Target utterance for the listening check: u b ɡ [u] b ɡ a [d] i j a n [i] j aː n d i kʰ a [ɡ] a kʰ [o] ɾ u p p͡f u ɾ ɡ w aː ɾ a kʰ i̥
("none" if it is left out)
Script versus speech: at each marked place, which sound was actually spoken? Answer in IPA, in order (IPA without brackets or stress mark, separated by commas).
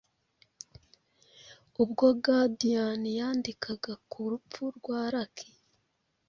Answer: o, d, i, ɡ, u